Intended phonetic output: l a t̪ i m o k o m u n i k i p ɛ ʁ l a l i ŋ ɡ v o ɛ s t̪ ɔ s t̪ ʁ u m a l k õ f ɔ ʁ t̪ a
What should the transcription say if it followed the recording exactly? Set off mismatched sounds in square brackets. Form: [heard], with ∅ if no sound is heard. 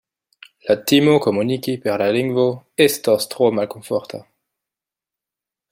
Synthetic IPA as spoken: l a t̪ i m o k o m u n i k i p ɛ ʁ l a l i ŋ ɡ v o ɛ s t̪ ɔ s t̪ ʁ [o] m a l k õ f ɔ ʁ t̪ a